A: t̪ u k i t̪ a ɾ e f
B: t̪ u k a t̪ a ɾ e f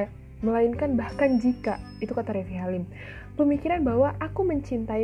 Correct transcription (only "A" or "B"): B